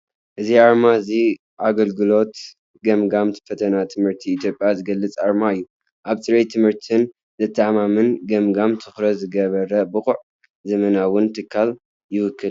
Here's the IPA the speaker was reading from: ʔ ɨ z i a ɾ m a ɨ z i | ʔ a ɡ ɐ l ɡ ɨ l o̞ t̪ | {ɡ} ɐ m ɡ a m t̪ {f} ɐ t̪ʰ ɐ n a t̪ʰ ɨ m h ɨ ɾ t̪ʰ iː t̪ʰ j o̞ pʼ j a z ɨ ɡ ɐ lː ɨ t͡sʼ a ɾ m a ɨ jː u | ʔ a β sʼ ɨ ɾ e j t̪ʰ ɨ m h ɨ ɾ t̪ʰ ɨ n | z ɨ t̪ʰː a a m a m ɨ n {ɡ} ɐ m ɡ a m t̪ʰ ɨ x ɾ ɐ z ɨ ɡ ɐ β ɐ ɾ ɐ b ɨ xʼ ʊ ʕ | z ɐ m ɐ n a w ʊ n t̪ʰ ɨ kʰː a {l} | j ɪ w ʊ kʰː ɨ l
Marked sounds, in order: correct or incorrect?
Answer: correct, correct, correct, correct

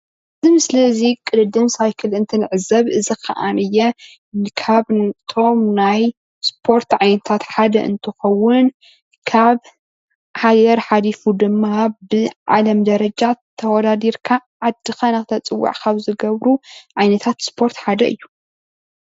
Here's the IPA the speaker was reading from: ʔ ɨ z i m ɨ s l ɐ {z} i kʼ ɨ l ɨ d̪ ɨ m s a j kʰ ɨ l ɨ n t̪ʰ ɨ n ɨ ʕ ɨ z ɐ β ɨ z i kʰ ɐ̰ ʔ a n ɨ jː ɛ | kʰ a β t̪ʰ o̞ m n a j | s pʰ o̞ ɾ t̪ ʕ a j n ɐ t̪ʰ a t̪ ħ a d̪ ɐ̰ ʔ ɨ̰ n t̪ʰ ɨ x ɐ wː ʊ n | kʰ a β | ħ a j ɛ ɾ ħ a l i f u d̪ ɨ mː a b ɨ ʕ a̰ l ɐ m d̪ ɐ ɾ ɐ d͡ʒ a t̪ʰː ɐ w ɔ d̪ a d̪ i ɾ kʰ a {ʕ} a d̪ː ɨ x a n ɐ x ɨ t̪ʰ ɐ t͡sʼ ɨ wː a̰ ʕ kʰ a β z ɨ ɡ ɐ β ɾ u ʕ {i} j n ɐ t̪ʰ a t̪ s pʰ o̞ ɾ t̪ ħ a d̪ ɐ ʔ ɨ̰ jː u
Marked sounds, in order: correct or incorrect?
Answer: correct, correct, incorrect

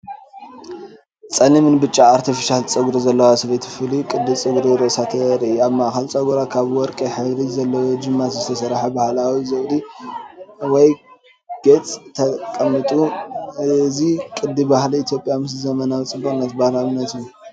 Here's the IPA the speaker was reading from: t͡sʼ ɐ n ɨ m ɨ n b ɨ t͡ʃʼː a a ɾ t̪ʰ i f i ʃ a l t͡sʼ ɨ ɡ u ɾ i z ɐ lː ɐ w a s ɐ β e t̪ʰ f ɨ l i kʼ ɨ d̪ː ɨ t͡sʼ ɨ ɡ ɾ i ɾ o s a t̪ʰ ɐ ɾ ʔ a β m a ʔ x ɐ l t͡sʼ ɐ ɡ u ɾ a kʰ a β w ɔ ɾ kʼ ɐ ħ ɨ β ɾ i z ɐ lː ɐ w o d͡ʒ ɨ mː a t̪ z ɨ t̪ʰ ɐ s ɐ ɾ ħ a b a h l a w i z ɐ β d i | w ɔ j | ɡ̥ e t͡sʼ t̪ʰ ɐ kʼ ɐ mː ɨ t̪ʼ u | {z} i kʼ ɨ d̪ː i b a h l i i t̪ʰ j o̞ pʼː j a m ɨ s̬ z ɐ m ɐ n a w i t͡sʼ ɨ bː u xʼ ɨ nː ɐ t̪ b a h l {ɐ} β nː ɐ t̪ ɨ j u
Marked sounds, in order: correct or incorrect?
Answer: correct, incorrect

